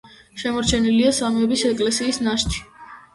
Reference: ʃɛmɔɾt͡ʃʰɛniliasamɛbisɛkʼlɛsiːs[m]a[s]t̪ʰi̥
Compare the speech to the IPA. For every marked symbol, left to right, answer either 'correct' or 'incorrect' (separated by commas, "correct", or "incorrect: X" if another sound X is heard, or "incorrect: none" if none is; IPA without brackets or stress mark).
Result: incorrect: n, incorrect: ʃ